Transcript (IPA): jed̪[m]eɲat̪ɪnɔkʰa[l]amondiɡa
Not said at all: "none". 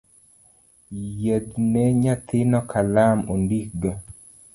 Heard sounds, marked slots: n, l

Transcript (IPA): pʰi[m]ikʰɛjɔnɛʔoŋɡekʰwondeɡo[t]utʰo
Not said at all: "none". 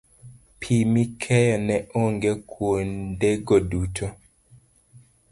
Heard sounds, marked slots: m, d

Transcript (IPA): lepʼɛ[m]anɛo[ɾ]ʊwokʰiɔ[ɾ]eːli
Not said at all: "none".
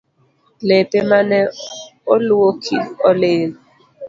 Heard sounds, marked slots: m, l, l

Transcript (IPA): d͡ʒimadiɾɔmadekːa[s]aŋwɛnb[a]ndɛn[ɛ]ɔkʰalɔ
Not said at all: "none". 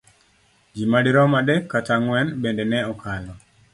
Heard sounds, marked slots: t, e, ɛ

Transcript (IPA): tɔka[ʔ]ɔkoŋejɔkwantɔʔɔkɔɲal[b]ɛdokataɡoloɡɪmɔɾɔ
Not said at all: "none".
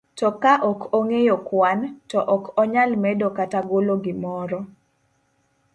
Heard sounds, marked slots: ʔ, m

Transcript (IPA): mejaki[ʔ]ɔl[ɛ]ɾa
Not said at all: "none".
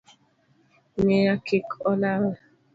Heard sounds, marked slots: k, a

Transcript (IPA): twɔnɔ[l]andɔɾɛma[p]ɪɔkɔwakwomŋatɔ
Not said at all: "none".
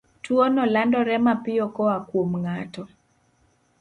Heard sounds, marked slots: l, p

